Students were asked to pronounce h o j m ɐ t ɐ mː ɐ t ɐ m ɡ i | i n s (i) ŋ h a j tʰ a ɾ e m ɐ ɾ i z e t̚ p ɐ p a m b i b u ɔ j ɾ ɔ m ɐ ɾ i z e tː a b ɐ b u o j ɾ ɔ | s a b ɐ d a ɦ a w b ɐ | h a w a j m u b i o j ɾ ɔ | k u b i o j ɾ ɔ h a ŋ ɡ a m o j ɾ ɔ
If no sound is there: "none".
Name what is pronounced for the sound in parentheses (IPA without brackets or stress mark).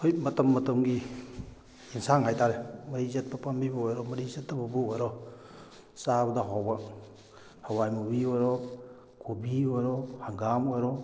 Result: a